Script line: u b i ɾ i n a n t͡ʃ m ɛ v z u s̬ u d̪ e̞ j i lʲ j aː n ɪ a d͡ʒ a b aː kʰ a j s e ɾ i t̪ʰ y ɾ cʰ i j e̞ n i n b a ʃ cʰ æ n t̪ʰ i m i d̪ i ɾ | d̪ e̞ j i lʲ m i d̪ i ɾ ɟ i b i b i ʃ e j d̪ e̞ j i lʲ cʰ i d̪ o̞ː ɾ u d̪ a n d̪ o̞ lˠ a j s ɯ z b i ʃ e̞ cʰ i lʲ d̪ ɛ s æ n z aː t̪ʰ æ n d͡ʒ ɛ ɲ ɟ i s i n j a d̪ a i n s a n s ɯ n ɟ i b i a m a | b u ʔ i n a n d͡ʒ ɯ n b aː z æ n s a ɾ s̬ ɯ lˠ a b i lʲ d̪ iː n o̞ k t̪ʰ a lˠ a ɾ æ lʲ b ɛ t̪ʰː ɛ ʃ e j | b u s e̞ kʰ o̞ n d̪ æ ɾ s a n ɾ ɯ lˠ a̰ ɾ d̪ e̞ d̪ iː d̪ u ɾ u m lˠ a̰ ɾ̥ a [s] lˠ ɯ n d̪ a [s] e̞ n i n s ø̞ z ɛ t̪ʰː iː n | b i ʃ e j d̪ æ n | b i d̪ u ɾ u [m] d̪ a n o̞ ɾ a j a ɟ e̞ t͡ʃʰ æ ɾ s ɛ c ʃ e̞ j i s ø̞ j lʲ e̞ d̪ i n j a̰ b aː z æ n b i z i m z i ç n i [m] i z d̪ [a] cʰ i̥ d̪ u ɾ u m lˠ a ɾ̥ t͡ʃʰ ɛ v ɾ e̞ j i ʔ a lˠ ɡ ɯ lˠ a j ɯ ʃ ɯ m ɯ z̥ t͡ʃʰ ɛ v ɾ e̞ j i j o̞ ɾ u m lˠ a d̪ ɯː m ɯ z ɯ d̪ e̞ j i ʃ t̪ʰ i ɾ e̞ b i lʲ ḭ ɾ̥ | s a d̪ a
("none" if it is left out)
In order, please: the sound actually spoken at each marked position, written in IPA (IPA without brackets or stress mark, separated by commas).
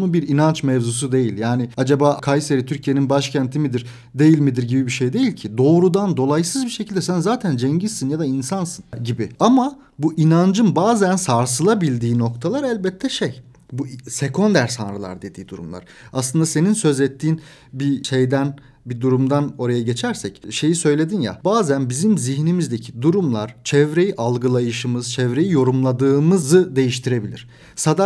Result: s, s, m, m, e